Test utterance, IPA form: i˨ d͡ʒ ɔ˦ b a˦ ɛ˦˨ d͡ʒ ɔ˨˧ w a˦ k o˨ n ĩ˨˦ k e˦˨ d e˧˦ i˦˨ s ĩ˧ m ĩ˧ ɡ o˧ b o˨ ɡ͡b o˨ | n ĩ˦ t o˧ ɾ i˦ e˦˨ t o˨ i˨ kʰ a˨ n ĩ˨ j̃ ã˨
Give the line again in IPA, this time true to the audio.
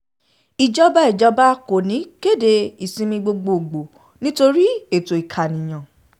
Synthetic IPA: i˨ d͡ʒ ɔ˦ b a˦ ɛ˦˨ d͡ʒ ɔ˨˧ b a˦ k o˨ n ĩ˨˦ k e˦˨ d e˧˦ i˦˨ s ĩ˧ m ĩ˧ ɡ͡b o˧ ɡ͡b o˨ ɡ͡b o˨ | n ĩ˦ t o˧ ɾ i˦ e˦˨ t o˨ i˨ kʰ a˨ n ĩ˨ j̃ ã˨